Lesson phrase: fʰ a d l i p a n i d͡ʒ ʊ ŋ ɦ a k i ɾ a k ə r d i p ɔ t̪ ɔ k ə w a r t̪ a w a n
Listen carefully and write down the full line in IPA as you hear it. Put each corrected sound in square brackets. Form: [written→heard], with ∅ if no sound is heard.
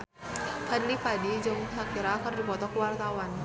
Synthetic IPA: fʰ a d l i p a [n→d] i d͡ʒ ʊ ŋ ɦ a k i ɾ a k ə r d i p ɔ t̪ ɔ k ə w a r t̪ a w a n